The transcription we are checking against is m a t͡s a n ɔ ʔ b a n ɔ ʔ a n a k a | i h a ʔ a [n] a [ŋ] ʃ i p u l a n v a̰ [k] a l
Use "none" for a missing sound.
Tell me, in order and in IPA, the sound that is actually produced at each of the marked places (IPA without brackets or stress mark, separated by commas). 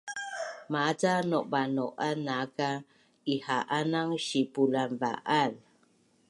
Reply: n, ŋ, ʔ